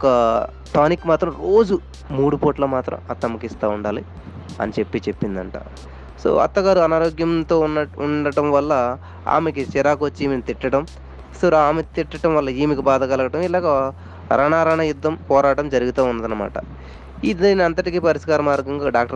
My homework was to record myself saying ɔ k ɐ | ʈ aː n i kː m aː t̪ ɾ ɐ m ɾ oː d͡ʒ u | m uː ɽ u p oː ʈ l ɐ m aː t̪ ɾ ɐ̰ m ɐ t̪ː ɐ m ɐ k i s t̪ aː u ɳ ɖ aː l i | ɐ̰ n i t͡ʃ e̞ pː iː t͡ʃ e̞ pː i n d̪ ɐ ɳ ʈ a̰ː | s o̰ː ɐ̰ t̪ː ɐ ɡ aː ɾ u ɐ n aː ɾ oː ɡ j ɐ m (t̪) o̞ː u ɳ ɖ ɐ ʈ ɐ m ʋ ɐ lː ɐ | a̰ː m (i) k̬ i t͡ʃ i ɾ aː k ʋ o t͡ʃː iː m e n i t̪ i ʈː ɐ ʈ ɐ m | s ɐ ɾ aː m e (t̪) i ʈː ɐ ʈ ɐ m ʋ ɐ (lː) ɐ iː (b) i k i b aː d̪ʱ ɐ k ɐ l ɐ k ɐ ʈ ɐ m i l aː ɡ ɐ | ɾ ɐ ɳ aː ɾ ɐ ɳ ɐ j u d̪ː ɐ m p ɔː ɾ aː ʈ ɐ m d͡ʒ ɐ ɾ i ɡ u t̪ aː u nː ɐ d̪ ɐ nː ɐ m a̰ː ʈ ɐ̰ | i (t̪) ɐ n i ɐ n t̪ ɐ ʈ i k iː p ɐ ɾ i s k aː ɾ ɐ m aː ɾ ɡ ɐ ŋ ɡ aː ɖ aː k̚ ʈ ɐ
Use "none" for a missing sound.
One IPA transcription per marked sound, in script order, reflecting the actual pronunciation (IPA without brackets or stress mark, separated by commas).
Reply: t̪, e, t̪, lː, m, d̪